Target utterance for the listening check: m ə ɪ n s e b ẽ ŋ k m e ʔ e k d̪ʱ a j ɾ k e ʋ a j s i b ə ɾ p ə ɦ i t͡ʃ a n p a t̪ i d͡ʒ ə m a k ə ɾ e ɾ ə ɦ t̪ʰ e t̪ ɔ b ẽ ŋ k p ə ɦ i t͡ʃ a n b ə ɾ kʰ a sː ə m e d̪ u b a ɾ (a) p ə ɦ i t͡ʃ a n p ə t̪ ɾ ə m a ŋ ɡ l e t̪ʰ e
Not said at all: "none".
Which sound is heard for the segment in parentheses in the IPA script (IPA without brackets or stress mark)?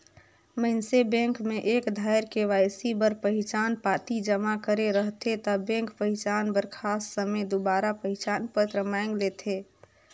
a